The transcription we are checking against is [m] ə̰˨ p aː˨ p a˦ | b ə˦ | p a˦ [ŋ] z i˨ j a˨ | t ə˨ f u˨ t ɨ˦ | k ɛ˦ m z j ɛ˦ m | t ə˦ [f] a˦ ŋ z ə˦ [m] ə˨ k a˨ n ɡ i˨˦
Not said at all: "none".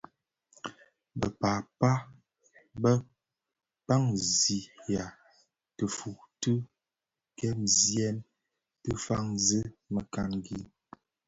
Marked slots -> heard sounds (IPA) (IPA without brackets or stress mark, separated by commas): b, ŋ, f, m